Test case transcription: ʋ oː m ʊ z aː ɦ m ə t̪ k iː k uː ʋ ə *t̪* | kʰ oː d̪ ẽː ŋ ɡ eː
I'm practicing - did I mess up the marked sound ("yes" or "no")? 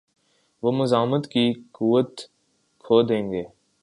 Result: no